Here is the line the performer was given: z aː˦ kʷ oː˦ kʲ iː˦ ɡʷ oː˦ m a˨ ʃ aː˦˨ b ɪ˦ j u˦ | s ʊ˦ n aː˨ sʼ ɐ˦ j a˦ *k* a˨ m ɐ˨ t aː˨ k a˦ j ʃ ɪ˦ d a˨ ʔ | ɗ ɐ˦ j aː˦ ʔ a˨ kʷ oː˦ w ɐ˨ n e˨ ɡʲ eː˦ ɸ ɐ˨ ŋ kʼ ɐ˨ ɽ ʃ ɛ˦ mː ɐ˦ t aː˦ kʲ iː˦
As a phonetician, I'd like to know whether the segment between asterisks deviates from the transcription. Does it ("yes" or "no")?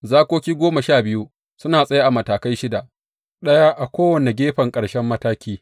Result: yes